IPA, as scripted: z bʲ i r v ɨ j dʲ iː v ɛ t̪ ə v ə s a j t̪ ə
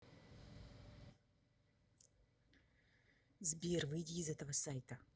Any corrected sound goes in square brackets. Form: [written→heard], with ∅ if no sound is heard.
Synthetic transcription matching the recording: z bʲ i r v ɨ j dʲ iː [v→z] ɛ t̪ ə v ə s a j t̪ ə